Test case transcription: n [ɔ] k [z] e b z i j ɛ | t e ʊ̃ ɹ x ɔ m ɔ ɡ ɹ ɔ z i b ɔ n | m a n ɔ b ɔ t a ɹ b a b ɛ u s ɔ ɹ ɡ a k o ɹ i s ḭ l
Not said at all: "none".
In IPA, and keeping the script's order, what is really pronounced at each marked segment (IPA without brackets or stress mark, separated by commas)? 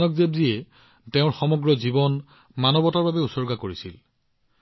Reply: ɔ, z